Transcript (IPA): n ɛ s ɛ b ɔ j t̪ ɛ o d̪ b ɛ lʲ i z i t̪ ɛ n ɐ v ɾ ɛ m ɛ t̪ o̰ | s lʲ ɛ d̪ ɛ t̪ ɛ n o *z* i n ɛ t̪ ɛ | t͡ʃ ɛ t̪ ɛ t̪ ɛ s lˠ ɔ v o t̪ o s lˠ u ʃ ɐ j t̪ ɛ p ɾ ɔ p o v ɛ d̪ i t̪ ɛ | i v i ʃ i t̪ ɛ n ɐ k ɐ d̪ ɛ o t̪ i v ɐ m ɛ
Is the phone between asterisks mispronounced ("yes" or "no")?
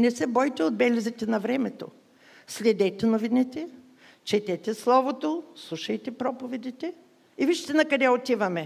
yes